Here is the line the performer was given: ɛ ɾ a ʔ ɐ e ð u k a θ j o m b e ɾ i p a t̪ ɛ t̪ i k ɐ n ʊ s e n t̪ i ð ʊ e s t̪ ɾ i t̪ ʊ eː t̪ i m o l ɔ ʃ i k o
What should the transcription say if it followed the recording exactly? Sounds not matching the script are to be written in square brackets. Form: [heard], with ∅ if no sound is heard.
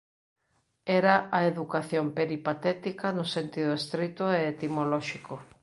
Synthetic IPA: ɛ ɾ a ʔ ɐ e ð u k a θ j o m [p] e ɾ i p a t̪ ɛ t̪ i k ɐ n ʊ s e n t̪ i ð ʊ e s t̪ ɾ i t̪ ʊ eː t̪ i m o l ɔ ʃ i k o